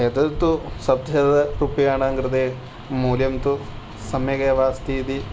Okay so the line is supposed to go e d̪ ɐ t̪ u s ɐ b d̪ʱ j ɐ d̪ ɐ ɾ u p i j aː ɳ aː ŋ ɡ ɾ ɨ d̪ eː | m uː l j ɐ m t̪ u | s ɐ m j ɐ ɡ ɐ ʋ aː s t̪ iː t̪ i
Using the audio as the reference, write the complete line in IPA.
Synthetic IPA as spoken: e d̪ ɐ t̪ u s ɐ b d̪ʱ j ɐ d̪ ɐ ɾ u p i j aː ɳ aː ŋ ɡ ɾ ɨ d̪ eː | m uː l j ɐ m t̪ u | s ɐ m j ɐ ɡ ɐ ʋ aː s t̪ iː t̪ i